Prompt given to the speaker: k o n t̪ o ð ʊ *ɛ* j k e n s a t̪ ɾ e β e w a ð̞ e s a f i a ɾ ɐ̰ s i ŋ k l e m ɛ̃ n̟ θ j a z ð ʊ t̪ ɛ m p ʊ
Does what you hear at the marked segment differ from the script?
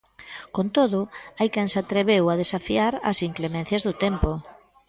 yes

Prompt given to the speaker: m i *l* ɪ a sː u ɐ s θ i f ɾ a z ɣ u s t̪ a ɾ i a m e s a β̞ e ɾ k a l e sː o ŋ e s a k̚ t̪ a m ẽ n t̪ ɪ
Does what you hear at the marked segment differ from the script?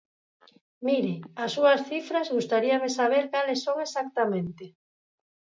yes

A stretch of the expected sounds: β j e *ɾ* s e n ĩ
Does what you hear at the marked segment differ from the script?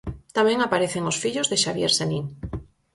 no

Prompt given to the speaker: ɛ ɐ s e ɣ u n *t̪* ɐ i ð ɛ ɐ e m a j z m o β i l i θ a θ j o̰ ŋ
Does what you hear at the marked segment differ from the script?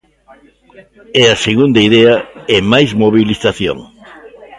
yes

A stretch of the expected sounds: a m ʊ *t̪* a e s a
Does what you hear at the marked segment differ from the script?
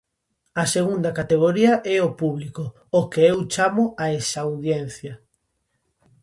yes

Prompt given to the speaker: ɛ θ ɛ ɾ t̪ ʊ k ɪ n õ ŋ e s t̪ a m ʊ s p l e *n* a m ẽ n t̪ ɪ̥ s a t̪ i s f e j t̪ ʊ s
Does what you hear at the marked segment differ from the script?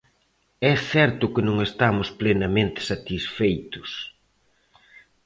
no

